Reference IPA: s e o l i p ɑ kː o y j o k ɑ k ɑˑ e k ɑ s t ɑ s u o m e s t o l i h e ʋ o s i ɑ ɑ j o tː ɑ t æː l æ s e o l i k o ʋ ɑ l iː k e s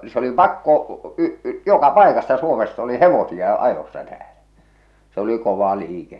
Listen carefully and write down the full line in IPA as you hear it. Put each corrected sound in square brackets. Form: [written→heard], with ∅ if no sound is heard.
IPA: s e o l i p ɑ kː o y j o k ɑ [k→p] ɑˑ e k ɑ s t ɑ s u o m e s t o l i h e ʋ o s i ɑ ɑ j o [tː→sː] ɑ t æː l æ s e o l i k o ʋ ɑ l iː k e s